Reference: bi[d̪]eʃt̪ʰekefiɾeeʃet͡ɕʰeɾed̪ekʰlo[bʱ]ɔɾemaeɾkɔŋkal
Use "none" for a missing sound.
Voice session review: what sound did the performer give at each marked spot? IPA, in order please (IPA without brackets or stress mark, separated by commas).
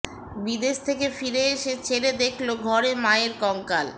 d̪, ɡʱ